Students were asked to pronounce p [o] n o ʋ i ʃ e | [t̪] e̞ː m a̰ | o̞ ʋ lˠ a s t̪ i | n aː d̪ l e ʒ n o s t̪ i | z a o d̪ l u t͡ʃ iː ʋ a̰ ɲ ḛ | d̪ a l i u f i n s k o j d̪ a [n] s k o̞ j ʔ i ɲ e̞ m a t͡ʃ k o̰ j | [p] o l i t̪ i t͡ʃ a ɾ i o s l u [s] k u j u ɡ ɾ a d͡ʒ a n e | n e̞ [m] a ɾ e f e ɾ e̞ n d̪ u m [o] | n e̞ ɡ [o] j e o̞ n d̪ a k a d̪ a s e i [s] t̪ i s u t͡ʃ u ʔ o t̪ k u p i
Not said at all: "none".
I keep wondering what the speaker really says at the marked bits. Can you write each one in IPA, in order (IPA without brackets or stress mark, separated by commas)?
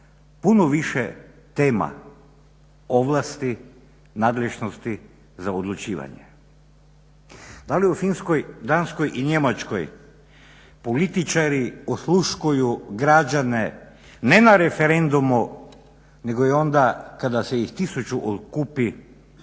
u, t̪, n, p, ʃ, n, u, o, x